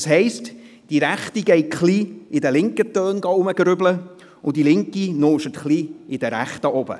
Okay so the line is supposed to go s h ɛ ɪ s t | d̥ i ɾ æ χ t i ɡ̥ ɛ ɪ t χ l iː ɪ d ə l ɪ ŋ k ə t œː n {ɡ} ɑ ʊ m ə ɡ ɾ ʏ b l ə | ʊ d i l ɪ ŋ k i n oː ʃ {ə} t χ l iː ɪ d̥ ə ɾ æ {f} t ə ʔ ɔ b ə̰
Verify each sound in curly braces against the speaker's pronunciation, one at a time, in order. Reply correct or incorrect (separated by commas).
correct, correct, incorrect